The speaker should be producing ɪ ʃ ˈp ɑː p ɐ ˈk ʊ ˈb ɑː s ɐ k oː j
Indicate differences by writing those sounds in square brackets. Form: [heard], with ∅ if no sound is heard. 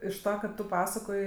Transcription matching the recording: ɪ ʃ [ˈt] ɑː [k] ɐ [ˈt] ʊ [ˈp] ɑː s ɐ k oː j